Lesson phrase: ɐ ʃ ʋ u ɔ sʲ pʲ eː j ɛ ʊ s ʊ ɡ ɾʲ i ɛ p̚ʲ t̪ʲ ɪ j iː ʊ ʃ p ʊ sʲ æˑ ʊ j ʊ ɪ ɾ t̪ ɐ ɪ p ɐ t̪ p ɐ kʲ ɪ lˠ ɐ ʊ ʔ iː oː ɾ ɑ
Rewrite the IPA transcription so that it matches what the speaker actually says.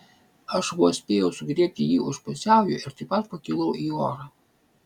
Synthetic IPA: ɐ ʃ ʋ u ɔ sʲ pʲ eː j ɛ ʊ s ʊ ɡ ɾʲ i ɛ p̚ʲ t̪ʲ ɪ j iː ʊ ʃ p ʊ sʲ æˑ ʊ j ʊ ɪ ɾ t̪ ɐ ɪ p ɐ t̪ p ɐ kʲ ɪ lˠ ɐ ʊ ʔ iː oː ɾ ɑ